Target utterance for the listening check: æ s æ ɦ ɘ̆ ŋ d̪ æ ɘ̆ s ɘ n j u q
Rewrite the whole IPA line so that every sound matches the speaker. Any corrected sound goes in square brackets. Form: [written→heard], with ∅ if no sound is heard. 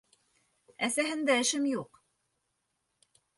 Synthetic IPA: æ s æ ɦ ɘ̆ [ŋ→n] d̪ æ ɘ̆ [s→ʃ] ɘ [n→m] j u q

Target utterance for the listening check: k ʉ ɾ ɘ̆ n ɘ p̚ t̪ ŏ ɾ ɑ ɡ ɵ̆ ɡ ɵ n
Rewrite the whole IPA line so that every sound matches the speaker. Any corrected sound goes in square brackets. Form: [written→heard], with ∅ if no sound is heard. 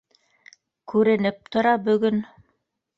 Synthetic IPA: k ʉ ɾ ɘ̆ n ɘ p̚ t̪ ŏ ɾ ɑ [ɡ→b] ɵ̆ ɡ ɵ n

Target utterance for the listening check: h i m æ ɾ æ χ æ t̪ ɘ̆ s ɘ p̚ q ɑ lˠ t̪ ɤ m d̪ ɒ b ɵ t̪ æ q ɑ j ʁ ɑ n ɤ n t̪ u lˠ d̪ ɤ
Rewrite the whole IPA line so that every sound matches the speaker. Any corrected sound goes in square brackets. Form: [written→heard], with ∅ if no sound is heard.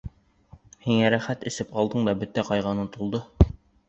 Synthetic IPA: h i [m→ŋ] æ ɾ æ χ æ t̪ ɘ̆ s ɘ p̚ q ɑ lˠ [t̪→d̪] ɤ [m→ɴ] d̪ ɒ b ɵ t̪ æ q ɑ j ʁ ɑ n ɤ n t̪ u lˠ d̪ ɤ

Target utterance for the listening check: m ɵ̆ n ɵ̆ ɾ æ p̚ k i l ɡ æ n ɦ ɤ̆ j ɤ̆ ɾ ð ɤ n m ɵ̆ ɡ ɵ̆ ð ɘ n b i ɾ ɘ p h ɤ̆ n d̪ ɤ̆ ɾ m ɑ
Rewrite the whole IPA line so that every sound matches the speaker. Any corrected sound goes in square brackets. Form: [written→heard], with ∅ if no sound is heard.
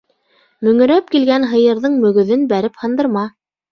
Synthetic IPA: m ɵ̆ [n→ŋ] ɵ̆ ɾ æ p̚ k i l ɡ æ n ɦ ɤ̆ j ɤ̆ ɾ ð ɤ [n→ɴ] m ɵ̆ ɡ ɵ̆ ð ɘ n b [i→æ] ɾ ɘ p h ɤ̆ n d̪ ɤ̆ ɾ m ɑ

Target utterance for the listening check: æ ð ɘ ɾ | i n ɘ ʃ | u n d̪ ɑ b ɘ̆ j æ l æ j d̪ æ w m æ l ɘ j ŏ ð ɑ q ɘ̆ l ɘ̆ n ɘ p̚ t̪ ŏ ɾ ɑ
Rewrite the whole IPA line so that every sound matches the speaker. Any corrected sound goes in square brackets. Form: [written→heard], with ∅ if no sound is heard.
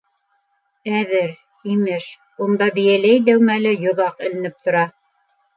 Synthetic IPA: æ ð ɘ ɾ | i [n→m] ɘ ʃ | u n d̪ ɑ b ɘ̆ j æ l æ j d̪ æ w m æ l ɘ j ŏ ð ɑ q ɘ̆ l ɘ̆ n ɘ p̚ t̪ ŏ ɾ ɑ

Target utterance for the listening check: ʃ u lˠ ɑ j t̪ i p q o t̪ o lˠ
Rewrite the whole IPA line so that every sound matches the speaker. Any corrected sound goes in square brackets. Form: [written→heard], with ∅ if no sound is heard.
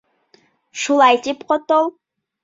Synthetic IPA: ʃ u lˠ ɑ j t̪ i p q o t̪ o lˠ

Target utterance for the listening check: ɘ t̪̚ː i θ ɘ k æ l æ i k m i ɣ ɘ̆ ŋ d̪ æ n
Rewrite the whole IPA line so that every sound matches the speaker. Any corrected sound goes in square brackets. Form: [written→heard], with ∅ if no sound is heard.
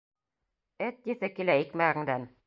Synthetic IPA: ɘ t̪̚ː i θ ɘ k [æ→i] l æ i k m [i→æ] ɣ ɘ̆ ŋ d̪ æ n

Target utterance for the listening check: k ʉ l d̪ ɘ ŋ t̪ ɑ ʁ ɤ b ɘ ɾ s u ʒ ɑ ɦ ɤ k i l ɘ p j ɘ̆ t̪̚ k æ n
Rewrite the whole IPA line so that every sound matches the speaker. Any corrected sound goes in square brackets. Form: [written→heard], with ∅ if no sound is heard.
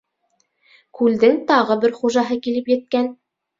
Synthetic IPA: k ʉ l d̪ ɘ ŋ t̪ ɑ ʁ ɤ b ɘ ɾ [s→χ] u ʒ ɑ ɦ ɤ k i l ɘ p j ɘ̆ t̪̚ k æ n

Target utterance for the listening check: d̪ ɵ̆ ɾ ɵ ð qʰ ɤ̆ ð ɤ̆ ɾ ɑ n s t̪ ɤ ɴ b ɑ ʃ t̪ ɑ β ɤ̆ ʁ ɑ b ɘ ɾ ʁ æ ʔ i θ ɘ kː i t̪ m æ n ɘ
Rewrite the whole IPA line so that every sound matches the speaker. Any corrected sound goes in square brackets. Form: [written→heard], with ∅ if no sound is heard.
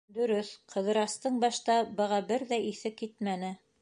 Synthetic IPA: d̪ ɵ̆ ɾ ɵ [ð→θ] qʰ ɤ̆ ð ɤ̆ ɾ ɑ [n→∅] s t̪ ɤ ɴ b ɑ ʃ t̪ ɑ [β→b] ɤ̆ ʁ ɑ b ɘ ɾ [ʁ→ð] æ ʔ i θ ɘ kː i t̪ m æ n ɘ

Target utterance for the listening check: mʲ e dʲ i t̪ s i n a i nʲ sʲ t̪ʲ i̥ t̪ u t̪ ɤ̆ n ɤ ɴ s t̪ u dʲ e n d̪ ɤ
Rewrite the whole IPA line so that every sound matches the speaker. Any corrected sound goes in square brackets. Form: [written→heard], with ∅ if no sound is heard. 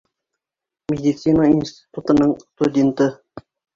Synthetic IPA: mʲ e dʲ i t̪ s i n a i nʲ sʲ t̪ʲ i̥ t̪ u t̪ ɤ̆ n ɤ ɴ s t̪ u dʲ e n [d̪→t̪] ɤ

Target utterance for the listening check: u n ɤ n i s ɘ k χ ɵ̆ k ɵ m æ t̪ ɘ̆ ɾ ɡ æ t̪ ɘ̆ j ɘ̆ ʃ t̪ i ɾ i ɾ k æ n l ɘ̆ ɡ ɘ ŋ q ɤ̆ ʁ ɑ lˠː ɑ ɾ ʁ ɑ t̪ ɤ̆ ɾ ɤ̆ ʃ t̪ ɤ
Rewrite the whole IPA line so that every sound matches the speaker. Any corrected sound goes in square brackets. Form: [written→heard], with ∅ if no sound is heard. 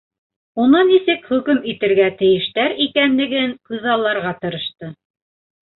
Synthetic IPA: u n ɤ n i s ɘ k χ ɵ̆ k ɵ m [æ→i] t̪ ɘ̆ ɾ ɡ æ t̪ ɘ̆ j ɘ̆ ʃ t̪ [i→æ] ɾ i [ɾ→∅] k æ n l ɘ̆ ɡ ɘ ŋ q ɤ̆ [ʁ→ð] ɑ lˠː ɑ ɾ ʁ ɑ t̪ ɤ̆ ɾ ɤ̆ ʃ t̪ ɤ

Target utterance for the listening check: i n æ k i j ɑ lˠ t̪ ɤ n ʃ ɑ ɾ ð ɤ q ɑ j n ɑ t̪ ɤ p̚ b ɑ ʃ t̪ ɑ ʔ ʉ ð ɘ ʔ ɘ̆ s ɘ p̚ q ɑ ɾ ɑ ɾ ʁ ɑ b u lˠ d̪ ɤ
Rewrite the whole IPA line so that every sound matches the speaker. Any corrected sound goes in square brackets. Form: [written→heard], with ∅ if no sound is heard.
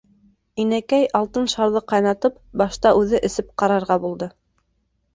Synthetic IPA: i n æ k [i→æ] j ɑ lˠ t̪ ɤ n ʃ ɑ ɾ ð ɤ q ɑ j n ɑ t̪ ɤ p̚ b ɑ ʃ t̪ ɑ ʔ ʉ ð ɘ ʔ ɘ̆ s ɘ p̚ q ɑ ɾ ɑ ɾ ʁ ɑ b u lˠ d̪ ɤ

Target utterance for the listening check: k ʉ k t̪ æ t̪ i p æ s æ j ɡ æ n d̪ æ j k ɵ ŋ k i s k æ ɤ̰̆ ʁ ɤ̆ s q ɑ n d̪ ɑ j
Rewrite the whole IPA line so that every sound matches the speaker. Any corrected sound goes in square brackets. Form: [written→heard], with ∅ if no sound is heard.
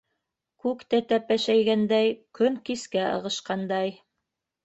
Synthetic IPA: k ʉ k t̪ æ t̪ [i→æ] p æ [s→ʃ] æ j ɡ æ n d̪ æ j k ɵ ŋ k i s k æ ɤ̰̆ ʁ ɤ̆ [s→ʃ] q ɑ n d̪ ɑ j

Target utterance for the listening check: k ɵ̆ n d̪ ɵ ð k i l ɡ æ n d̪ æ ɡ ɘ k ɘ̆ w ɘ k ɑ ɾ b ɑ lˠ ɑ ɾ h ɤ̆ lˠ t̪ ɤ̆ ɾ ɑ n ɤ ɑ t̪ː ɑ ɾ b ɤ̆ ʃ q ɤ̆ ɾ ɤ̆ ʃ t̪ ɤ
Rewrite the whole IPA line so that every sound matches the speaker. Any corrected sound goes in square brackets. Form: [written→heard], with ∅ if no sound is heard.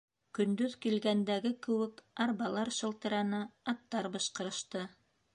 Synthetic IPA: k ɵ̆ n d̪ ɵ ð k i l ɡ æ n d̪ æ ɡ ɘ k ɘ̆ w ɘ k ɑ ɾ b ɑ lˠ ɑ ɾ [h→ʃ] ɤ̆ lˠ t̪ ɤ̆ ɾ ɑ n ɤ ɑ t̪ː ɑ ɾ b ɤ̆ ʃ q ɤ̆ ɾ ɤ̆ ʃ t̪ ɤ

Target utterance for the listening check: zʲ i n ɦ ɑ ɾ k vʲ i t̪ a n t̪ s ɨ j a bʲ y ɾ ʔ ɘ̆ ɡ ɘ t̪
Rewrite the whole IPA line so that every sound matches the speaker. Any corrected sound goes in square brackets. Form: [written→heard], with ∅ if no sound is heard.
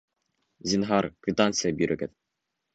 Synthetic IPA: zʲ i n ɦ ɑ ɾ k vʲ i t̪ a n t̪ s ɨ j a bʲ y ɾ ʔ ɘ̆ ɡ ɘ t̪

